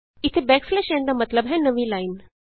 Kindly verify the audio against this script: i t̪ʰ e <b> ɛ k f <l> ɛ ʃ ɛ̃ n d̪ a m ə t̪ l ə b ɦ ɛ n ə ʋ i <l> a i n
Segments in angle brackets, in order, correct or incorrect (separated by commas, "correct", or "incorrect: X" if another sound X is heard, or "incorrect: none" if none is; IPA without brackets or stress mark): correct, correct, correct